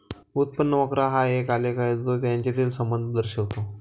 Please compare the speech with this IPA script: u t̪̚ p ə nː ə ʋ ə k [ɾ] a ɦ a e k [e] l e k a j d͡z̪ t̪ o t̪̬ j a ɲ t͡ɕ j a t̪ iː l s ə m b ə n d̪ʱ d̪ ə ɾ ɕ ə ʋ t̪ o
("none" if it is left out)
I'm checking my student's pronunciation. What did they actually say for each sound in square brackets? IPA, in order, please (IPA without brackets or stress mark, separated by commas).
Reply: ɾ, a